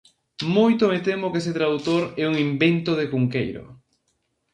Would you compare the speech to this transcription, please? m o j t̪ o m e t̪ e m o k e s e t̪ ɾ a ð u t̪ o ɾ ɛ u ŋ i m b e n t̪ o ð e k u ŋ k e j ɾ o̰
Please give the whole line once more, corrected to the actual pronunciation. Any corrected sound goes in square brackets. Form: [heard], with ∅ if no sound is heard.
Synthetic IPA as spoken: m o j t̪ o m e t̪ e m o k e s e t̪ ɾ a ð u t̪ o ɾ ɛ u ŋ i m b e n t̪ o ð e k u ŋ k e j ɾ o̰